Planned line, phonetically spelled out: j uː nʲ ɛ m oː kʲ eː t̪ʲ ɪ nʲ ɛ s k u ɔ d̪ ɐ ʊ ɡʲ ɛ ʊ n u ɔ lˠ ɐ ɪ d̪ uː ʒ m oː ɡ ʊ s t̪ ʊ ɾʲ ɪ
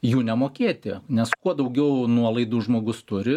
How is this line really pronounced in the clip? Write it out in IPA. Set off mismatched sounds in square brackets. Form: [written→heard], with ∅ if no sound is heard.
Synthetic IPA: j uː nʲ ɛ m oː kʲ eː t̪ʲ ɪ nʲ ɛ s k u ɔ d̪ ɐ ʊ ɡʲ ɛ ʊ n u ɔ lˠ ɐ ɪ d̪ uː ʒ m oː ɡ ʊ s t̪ ʊ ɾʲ ɪ